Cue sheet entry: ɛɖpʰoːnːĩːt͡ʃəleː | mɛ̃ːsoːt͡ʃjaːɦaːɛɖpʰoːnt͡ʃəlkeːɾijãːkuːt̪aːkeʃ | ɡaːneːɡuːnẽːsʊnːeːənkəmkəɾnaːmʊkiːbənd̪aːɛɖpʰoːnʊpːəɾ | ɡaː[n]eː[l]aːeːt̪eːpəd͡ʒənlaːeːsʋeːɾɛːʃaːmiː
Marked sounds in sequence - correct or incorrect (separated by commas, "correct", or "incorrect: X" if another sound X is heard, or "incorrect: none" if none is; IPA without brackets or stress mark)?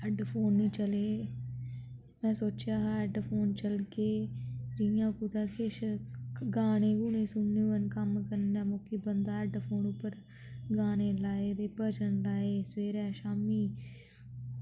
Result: correct, correct